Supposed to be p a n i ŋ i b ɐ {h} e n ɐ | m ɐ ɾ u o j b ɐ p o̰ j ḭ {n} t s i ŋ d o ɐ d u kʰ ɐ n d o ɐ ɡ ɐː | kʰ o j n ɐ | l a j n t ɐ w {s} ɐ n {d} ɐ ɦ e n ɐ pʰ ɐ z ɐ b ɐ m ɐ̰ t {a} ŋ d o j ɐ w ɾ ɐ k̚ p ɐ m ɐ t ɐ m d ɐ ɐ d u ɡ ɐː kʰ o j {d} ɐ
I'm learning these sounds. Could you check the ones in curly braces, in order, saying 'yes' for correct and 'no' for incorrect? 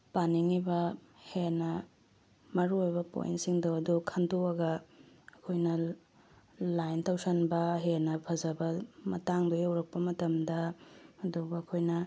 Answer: yes, yes, yes, no, yes, no

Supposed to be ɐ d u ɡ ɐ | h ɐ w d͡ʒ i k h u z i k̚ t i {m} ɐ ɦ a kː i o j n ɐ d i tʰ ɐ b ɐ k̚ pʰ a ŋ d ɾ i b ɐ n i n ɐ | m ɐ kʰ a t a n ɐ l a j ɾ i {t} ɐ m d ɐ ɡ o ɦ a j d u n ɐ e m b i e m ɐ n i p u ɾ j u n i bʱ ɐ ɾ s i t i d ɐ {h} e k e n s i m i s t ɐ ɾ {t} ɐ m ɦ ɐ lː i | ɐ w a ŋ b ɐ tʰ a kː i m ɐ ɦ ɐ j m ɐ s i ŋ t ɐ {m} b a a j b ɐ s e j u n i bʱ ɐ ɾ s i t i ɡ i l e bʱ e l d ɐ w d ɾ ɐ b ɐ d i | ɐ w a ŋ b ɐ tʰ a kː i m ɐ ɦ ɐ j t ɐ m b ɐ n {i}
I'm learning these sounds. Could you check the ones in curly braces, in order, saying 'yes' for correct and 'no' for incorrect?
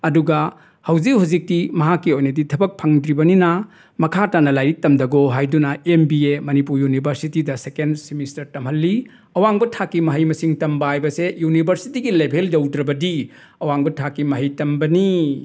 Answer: yes, yes, no, yes, yes, yes

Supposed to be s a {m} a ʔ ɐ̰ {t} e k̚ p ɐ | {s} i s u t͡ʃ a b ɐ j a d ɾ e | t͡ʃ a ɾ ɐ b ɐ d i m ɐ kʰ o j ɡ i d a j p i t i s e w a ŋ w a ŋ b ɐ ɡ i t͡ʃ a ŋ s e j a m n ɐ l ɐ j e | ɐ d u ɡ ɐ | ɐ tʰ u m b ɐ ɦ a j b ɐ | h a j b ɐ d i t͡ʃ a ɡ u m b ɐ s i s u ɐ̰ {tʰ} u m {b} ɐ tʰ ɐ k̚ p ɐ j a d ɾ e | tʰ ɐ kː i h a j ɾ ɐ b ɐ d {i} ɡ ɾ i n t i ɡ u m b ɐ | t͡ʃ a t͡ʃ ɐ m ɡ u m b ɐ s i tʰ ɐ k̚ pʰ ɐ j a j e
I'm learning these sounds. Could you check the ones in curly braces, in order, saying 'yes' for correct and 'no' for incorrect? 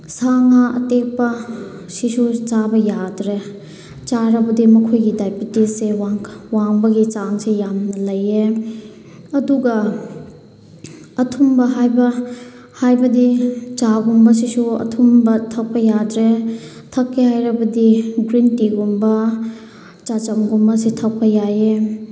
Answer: no, yes, yes, yes, yes, yes

